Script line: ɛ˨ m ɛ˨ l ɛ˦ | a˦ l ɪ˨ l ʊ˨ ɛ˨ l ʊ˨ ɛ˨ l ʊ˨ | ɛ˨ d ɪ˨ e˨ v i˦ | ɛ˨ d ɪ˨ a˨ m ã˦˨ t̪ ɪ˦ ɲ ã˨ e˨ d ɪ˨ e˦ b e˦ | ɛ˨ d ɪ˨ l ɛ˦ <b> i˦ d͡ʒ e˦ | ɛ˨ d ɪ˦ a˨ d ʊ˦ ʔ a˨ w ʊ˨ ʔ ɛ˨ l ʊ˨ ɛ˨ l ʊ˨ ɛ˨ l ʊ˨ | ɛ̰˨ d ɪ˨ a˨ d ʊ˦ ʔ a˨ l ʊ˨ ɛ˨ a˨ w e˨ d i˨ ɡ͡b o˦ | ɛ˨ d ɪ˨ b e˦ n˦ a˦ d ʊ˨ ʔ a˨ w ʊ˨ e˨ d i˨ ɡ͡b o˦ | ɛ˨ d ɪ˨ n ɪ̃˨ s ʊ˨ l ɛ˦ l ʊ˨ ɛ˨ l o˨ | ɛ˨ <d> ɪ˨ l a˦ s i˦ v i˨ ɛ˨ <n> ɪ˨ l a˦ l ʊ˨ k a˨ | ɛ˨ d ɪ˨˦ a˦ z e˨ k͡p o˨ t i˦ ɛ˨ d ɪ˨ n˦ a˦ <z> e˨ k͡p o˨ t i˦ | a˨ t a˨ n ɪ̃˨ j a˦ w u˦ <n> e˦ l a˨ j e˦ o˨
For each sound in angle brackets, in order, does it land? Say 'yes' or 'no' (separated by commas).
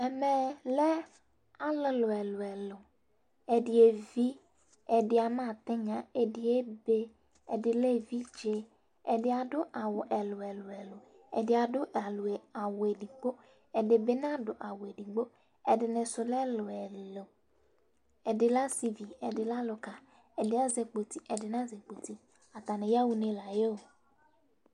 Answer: no, yes, no, yes, yes